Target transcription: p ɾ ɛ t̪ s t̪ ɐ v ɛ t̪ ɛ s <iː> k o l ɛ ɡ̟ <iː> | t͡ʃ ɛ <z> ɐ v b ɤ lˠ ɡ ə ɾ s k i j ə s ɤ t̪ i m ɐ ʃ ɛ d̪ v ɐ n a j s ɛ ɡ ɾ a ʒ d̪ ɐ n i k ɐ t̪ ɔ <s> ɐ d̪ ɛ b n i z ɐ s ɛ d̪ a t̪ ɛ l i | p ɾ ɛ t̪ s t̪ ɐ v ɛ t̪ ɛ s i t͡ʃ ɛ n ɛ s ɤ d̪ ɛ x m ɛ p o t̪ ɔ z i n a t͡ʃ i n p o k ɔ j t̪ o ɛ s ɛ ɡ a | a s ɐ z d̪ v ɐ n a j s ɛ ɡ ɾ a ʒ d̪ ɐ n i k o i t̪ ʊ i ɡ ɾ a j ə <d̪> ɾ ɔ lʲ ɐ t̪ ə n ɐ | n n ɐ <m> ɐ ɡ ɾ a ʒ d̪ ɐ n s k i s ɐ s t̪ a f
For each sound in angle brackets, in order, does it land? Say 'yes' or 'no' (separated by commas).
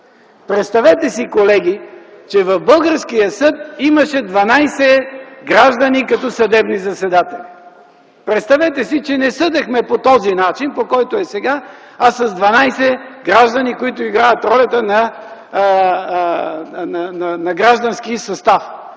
no, no, no, yes, no, no